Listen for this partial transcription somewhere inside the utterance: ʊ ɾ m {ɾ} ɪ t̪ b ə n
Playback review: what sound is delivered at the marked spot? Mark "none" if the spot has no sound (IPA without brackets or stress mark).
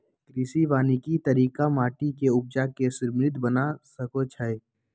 ɾ